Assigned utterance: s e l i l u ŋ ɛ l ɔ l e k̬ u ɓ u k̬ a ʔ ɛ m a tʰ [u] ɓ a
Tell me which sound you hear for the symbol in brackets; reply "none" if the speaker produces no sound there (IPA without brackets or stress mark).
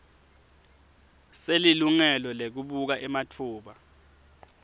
uː